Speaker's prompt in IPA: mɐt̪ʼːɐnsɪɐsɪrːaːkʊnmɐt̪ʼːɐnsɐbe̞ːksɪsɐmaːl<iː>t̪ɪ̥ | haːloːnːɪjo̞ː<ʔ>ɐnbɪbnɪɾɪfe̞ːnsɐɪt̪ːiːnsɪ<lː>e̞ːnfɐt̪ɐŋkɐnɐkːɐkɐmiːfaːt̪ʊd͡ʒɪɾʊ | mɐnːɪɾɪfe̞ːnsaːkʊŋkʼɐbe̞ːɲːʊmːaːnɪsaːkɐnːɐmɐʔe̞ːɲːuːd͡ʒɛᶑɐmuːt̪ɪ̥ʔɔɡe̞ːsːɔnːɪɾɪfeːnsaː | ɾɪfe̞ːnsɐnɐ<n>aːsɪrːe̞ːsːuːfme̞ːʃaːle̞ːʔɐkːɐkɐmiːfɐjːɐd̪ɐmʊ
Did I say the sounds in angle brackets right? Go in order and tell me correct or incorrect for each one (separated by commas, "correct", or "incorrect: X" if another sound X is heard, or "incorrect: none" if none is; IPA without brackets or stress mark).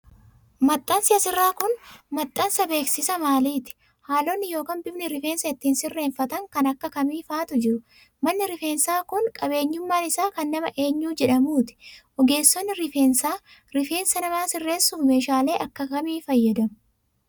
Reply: correct, incorrect: k, incorrect: rː, incorrect: m